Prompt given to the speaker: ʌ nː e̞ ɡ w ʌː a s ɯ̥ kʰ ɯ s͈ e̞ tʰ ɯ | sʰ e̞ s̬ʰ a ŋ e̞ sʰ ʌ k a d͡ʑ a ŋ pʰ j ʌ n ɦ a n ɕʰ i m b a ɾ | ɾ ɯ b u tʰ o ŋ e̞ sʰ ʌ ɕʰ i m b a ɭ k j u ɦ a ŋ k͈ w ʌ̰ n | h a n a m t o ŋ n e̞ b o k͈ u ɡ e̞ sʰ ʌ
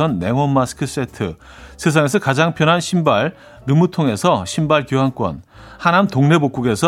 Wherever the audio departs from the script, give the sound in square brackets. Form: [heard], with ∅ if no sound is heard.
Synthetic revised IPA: ʌ nː e̞ [ŋ] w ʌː a s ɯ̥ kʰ ɯ s͈ e̞ tʰ ɯ | sʰ e̞ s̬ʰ a ŋ e̞ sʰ ʌ k a d͡ʑ a ŋ pʰ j ʌ n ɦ a n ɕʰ i m b a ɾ | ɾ ɯ [m] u tʰ o ŋ e̞ sʰ ʌ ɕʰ i m b a ɭ k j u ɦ a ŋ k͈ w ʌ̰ n | h a n a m t o ŋ n e̞ b o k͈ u ɡ e̞ sʰ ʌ